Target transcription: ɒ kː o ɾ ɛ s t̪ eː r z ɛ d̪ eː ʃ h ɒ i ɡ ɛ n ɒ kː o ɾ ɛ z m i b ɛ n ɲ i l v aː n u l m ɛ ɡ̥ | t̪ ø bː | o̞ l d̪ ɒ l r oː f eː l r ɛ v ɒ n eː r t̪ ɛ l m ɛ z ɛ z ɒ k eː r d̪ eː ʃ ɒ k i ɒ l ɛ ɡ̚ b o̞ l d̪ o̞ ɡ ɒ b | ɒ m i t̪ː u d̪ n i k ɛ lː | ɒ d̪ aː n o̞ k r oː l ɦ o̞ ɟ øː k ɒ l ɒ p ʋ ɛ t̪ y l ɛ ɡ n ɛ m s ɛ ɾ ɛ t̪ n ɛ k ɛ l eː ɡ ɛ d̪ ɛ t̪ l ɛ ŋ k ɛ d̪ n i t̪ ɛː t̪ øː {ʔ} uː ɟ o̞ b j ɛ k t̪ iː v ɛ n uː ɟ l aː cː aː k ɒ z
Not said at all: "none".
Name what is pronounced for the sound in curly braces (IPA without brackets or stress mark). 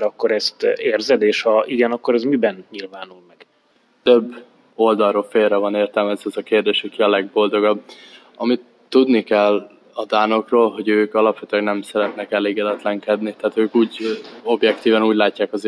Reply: k